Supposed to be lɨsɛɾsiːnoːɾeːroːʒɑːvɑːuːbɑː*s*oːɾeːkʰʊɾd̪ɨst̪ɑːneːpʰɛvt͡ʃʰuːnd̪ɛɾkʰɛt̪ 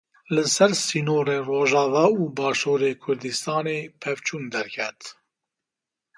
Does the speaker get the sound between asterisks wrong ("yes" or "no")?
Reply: yes